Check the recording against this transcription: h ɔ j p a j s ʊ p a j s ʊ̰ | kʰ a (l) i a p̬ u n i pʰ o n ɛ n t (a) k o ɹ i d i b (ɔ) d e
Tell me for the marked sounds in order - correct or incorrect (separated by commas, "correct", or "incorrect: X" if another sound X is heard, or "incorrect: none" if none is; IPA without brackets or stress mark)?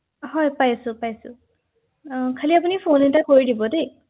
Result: correct, correct, correct